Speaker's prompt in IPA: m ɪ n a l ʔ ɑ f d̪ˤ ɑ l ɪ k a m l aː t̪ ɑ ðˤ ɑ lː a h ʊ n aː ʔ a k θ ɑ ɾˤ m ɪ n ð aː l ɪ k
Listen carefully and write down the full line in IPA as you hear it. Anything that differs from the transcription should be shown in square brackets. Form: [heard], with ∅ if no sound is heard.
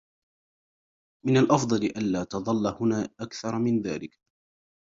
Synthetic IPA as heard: m ɪ n a l ʔ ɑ f d̪ˤ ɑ l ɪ [ʔ] a [n] l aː t̪ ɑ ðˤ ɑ lː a h ʊ n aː ʔ a k θ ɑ ɾˤ m ɪ n ð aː l ɪ k